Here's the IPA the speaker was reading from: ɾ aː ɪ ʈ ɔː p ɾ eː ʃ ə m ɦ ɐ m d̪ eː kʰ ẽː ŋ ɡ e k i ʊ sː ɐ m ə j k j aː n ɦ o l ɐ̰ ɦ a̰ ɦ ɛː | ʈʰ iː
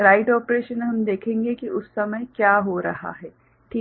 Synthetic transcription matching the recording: ɾ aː ɪ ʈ ɔː p ɾ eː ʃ ə n ɦ ɐ m d̪ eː kʰ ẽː ŋ ɡ e k i ʊ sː ɐ m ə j k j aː ɦ o ɾ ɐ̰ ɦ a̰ ɦ ɛː | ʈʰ iː